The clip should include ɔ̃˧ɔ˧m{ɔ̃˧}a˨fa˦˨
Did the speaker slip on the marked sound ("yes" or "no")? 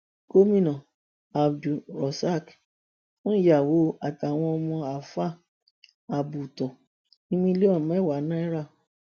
no